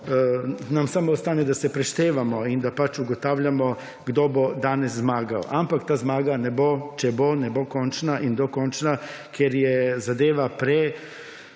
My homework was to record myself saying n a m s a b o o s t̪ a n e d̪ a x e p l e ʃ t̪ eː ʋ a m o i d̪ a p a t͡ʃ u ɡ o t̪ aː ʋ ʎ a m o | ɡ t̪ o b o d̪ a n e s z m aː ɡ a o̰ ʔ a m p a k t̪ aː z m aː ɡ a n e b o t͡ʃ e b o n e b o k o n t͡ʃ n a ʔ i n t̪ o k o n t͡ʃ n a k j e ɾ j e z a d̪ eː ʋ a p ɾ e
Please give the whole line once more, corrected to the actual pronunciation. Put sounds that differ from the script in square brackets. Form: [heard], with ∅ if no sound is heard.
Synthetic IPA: n a m s a [m] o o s t̪ a n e d̪ a [s] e p [ɾ] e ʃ t̪ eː ʋ a m o i d̪ a p a t͡ʃ u ɡ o t̪ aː ʋ ʎ a m o | ɡ [d̪] o b o d̪ a n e s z m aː ɡ a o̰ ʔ a m p a k t̪ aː z m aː ɡ a n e b o t͡ʃ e b o n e b o k o n t͡ʃ n a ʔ i n [d̪] o k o n t͡ʃ n a k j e ɾ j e z a d̪ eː ʋ a p ɾ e

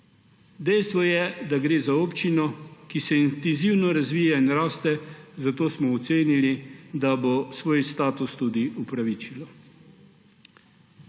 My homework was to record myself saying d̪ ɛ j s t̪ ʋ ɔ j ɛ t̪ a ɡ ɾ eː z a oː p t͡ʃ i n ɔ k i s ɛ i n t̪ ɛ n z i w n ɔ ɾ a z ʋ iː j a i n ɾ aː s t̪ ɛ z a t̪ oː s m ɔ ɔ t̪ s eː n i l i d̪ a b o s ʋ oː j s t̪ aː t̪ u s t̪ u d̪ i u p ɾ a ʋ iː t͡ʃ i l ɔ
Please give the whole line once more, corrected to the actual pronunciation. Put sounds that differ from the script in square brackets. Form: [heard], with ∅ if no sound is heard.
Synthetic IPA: d̪ ɛ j s t̪ ʋ ɔ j ɛ [d̪] a ɡ ɾ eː z a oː p t͡ʃ i n ɔ k i s ɛ i n t̪ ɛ n z i w n ɔ ɾ a z ʋ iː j a i n ɾ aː s t̪ ɛ z a t̪ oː s m ɔ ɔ t̪ s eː n i l i d̪ a b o s ʋ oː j s t̪ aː t̪ u s t̪ u d̪ i u p ɾ a ʋ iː t͡ʃ i l ɔ

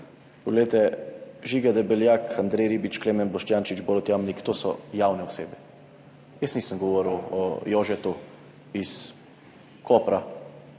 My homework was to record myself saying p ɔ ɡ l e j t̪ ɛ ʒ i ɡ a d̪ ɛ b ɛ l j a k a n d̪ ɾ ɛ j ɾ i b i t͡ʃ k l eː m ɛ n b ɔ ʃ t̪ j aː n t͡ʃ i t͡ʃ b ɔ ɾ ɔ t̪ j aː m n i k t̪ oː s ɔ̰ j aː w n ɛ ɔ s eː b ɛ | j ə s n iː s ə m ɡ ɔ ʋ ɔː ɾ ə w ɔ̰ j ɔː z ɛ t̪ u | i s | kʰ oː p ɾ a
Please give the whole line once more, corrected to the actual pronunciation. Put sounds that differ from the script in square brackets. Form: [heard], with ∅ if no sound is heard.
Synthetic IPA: p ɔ ɡ l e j t̪ ɛ ʒ i ɡ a d̪ ɛ b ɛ l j a k a n d̪ ɾ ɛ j ɾ i b i t͡ʃ k l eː m ɛ n b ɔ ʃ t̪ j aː n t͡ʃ i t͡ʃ b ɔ ɾ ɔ t̪ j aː m n i k t̪ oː s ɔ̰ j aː w n ɛ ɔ s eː b ɛ | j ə s n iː s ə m ɡ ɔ ʋ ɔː ɾ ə w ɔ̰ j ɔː [ʒ] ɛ t̪ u | i s | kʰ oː p ɾ a

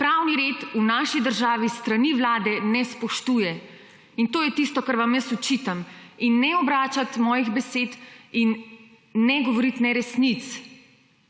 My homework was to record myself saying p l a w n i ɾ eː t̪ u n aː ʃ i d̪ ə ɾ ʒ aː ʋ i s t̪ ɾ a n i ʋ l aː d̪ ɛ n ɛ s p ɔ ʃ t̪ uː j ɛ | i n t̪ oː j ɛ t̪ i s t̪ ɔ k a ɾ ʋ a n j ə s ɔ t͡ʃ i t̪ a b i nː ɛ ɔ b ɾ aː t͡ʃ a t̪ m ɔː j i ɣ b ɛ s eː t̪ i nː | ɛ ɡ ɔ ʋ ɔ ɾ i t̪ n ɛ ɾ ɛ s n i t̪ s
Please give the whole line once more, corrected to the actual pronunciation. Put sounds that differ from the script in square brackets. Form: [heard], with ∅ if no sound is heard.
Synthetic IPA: p [ɾ] a w n i ɾ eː t̪ u n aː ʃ i d̪ ə ɾ ʒ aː ʋ i s t̪ ɾ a n i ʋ l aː d̪ ɛ n ɛ s p ɔ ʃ t̪ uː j ɛ | i n t̪ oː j ɛ t̪ i s t̪ ɔ k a ɾ ʋ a [m] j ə s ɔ t͡ʃ i t̪ a [m] i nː ɛ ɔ b ɾ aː t͡ʃ a t̪ m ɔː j i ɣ b ɛ s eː t̪ i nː | ɛ ɡ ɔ ʋ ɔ ɾ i t̪ n ɛ ɾ ɛ s n i t̪ s

